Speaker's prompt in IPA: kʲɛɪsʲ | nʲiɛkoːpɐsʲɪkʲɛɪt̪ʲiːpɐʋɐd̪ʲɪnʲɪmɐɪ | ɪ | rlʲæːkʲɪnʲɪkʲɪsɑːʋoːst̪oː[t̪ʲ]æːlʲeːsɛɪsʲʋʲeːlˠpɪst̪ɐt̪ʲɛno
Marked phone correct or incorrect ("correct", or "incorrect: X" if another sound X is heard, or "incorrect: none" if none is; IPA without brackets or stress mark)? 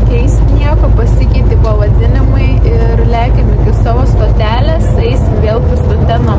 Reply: correct